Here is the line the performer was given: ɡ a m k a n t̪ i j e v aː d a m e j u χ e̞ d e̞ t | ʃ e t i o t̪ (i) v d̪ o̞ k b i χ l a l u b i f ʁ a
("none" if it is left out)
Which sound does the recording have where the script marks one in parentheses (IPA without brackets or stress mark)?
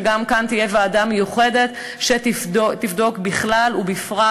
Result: i